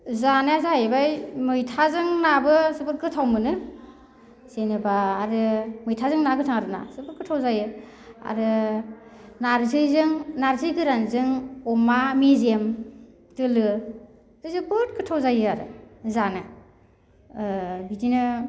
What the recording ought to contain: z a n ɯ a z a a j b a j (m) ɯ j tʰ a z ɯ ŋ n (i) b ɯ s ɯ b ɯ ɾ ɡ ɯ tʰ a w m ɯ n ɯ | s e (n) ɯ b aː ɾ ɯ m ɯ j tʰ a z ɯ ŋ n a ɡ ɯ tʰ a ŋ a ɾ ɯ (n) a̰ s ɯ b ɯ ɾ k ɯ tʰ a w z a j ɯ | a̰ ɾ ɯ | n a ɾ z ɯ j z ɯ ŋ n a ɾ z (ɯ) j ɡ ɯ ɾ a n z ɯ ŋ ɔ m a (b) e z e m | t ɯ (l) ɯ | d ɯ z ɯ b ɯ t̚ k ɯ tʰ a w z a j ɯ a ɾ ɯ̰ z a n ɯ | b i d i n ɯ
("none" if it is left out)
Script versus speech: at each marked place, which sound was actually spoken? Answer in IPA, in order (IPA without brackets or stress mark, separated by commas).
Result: m, a, n, n, ɯ, m, l